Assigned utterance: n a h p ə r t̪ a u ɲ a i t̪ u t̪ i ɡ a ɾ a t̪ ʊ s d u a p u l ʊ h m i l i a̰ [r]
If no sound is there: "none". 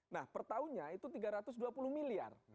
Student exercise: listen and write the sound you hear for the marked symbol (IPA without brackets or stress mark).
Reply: r